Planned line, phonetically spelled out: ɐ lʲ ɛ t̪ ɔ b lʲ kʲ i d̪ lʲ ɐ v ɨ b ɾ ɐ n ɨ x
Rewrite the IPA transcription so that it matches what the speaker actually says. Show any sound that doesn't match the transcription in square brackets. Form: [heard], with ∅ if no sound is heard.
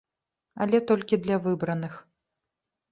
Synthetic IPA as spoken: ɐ lʲ ɛ t̪ ɔ [∅] lʲ kʲ i d̪ lʲ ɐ v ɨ b ɾ ɐ n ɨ x

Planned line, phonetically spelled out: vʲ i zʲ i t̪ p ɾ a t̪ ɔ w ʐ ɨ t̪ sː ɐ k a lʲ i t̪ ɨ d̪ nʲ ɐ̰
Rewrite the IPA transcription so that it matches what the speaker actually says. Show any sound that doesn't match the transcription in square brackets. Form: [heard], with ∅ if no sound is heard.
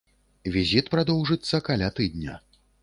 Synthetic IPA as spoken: vʲ i zʲ i t̪ p ɾ a [d̪] ɔ w ʐ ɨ t̪ sː ɐ k a lʲ [a] t̪ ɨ d̪ nʲ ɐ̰

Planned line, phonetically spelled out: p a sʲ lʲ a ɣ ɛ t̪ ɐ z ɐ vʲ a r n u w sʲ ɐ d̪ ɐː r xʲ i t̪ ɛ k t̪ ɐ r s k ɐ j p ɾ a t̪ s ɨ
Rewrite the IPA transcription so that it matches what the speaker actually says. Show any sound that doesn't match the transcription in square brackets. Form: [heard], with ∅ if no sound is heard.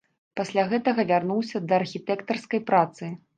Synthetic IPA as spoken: p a sʲ lʲ a ɣ ɛ t̪ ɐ [ɣ] ɐ vʲ a r n u w sʲ ɐ d̪ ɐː r xʲ i t̪ ɛ k t̪ ɐ r s k ɐ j p ɾ a t̪ s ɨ

